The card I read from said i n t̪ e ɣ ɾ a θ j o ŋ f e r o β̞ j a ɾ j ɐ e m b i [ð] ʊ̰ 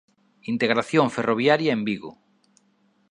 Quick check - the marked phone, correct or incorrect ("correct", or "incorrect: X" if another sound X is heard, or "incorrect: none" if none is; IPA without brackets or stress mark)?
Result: incorrect: ɣ